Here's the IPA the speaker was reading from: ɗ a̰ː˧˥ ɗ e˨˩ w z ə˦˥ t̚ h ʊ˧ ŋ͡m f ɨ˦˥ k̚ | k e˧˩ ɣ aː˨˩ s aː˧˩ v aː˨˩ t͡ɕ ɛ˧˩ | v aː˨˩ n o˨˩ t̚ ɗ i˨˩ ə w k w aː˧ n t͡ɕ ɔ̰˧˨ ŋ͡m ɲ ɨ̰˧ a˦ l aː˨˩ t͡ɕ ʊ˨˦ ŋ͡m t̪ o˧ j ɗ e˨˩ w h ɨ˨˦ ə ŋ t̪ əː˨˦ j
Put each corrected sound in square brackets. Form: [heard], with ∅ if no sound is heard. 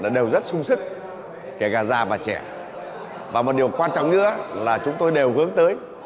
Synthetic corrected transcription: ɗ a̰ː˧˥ ɗ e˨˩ w z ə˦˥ t̚ [s] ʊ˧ ŋ͡m [s] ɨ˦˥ k̚ | k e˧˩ ɣ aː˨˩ [z] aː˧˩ v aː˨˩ t͡ɕ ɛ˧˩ | v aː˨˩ [m] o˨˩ t̚ ɗ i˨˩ ə w k w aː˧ n t͡ɕ ɔ̰˧˨ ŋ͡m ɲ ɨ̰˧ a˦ l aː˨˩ t͡ɕ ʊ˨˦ ŋ͡m t̪ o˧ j ɗ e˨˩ w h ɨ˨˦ ə ŋ t̪ əː˨˦ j